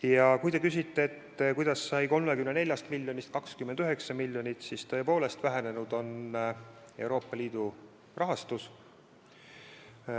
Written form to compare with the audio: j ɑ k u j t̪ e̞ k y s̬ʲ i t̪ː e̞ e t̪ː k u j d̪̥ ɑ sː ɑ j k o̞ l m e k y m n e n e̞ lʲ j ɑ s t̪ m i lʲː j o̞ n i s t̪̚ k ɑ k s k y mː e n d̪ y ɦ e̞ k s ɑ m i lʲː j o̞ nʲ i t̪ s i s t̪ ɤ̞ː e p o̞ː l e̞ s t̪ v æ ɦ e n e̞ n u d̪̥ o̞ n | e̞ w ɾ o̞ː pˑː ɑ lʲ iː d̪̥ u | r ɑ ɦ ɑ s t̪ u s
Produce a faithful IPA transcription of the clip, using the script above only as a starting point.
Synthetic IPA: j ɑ k u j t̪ e̞ k y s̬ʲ i t̪ː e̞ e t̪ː k u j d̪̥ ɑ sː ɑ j k o̞ l m e k y m n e n e̞ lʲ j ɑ s t̪ m i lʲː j o̞ n i s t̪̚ k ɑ k s k y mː e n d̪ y ɦ e̞ k s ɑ m i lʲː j o̞ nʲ i t̪ s i s t̪ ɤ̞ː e p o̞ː l e̞ s t̪ v æ ɦ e n e̞ n u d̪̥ o̞ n | e̞ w ɾ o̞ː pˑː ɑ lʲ iː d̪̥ u | r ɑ ɦ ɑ s t̪ u s